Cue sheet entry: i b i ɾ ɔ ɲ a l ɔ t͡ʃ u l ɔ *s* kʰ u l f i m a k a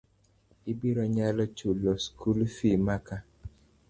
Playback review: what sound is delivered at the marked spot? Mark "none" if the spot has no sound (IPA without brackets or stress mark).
s